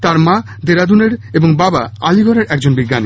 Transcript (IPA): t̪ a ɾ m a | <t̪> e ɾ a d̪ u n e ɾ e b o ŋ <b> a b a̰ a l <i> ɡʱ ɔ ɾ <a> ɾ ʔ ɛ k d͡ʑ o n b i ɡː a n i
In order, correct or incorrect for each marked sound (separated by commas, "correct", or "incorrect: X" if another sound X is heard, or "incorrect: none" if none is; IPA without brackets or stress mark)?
incorrect: d̪, correct, correct, incorrect: e